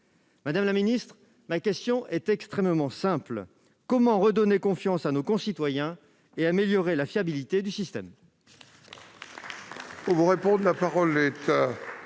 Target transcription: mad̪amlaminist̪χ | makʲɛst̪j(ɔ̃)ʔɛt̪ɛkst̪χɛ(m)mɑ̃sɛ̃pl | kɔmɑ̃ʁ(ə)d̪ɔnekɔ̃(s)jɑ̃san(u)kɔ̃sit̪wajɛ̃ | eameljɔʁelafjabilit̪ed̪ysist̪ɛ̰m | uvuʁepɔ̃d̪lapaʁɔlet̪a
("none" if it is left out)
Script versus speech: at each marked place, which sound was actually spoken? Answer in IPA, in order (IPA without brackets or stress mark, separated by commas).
ɔ̃, m, ə, f, o